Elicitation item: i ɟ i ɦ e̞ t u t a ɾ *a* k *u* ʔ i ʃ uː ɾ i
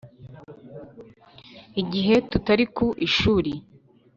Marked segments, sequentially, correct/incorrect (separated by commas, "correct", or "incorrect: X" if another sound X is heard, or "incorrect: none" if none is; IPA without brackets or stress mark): incorrect: i, correct